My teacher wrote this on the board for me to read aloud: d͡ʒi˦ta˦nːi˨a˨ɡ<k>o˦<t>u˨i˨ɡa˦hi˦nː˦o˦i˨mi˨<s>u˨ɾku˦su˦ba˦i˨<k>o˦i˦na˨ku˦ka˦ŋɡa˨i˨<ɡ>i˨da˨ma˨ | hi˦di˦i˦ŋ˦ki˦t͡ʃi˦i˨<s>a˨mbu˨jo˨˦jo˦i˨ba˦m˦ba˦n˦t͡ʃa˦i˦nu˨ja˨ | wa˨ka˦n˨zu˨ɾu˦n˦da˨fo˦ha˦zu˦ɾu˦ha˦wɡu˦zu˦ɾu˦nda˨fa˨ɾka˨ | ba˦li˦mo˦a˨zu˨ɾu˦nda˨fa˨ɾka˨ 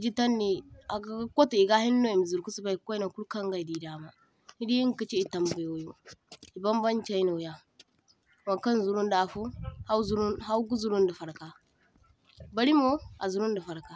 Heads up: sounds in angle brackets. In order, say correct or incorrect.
correct, correct, incorrect: z, correct, incorrect: d, incorrect: t

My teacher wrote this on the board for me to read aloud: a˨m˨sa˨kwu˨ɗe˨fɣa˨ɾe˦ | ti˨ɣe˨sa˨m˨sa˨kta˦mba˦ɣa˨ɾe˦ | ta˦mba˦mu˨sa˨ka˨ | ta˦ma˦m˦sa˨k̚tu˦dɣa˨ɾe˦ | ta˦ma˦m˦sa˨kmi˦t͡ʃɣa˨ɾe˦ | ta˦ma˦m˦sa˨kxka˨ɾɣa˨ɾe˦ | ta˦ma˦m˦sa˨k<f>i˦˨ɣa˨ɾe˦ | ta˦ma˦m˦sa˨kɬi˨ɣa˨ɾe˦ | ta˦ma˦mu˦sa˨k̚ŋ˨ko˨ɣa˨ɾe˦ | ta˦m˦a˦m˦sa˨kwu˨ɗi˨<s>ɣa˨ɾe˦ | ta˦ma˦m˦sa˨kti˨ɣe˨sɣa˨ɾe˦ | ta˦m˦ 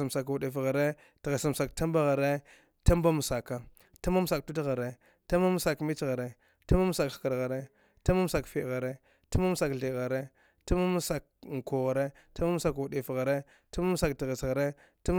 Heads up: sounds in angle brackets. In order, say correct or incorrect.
correct, incorrect: f

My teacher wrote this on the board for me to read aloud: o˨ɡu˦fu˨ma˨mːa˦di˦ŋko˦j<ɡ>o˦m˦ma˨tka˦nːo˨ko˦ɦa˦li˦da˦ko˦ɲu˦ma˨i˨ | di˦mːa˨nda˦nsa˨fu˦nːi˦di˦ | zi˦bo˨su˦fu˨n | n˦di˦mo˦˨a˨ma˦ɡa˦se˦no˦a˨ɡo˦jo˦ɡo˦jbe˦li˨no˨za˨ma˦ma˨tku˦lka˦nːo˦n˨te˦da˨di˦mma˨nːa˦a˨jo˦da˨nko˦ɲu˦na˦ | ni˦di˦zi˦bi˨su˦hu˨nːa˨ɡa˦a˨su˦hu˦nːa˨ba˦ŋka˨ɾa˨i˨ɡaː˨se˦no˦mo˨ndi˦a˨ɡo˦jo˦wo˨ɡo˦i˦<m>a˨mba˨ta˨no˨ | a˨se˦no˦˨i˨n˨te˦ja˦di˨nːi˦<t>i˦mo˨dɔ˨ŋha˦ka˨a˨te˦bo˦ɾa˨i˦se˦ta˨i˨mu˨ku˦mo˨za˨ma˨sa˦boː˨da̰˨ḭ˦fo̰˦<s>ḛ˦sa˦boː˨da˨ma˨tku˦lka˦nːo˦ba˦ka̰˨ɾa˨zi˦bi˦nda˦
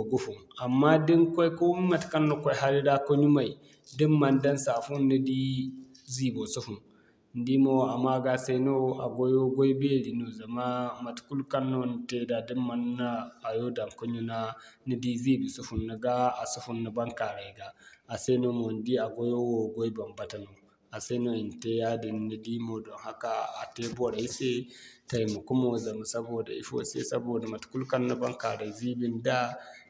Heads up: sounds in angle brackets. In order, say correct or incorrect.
incorrect: k, incorrect: b, incorrect: d, correct

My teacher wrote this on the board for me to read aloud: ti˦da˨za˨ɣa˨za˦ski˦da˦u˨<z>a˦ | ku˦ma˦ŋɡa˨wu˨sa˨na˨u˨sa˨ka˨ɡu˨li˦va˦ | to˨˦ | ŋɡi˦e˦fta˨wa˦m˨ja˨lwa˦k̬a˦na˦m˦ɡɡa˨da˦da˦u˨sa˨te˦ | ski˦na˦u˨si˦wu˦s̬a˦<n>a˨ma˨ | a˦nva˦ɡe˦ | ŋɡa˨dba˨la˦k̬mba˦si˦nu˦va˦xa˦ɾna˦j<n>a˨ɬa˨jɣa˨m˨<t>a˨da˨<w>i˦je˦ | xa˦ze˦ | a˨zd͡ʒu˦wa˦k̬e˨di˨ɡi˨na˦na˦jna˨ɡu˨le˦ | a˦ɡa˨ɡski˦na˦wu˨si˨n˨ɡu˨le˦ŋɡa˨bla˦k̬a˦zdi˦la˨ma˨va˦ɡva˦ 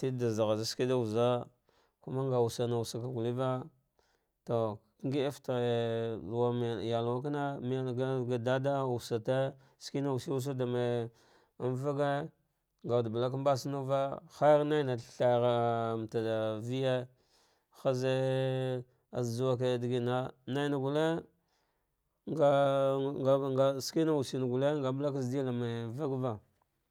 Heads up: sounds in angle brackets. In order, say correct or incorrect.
correct, incorrect: d, correct, correct, incorrect: v

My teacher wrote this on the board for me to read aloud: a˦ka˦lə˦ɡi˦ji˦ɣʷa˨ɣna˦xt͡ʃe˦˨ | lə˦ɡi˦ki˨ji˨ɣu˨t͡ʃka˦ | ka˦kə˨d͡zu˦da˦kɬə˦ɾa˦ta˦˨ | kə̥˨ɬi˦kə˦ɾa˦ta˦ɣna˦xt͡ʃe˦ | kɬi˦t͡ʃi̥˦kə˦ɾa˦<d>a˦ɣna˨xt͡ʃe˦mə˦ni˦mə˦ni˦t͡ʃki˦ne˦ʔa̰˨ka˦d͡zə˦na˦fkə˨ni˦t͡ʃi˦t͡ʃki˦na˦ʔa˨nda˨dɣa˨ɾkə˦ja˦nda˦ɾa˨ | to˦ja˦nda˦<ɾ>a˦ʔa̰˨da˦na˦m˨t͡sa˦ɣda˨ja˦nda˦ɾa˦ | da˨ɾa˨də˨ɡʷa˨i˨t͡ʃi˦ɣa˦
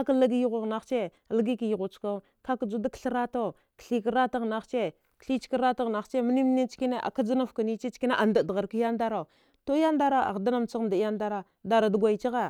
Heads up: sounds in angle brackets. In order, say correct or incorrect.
incorrect: t, correct

